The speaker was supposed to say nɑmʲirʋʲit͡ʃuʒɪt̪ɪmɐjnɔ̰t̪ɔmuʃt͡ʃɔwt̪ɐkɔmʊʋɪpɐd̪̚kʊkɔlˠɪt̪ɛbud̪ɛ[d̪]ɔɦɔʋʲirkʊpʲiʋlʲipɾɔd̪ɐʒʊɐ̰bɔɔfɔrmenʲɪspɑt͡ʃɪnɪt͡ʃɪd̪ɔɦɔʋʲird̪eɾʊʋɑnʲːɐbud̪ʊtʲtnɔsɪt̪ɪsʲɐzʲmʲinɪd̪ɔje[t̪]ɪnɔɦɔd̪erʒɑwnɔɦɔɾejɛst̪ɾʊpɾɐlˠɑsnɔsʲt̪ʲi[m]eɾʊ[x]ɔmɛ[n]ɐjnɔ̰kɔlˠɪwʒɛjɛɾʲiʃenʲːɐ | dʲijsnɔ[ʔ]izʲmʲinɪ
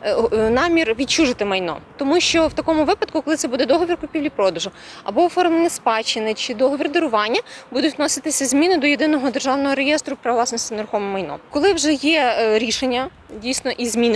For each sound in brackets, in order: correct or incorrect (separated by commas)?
correct, incorrect, incorrect, correct, incorrect, correct